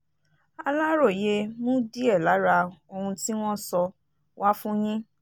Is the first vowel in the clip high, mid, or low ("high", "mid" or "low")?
low